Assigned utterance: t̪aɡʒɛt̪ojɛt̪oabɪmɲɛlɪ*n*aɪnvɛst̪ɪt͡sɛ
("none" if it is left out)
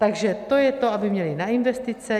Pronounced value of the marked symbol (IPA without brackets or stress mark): n